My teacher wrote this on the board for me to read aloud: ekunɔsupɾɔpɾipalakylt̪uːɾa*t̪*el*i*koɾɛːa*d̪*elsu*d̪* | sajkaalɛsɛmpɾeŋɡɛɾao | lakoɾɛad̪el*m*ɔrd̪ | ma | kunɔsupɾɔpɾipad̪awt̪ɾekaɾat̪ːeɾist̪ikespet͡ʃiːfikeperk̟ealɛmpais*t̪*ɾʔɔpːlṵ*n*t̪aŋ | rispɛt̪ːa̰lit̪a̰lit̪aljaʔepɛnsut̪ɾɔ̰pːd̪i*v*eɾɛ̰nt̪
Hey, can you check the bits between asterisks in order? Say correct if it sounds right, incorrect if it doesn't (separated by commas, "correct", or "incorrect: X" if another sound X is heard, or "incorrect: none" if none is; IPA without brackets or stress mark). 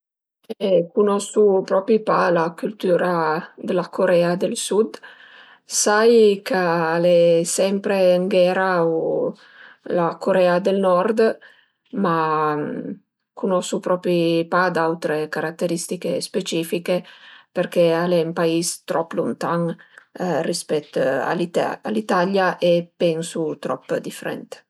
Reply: incorrect: d̪, incorrect: a, correct, correct, incorrect: n, correct, correct, incorrect: f